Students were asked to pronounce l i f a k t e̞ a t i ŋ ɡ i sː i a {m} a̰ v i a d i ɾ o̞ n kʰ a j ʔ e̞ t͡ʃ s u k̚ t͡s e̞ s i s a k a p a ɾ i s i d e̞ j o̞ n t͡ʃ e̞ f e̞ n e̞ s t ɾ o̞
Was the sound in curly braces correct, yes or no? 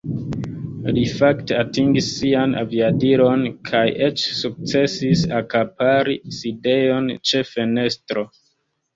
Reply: no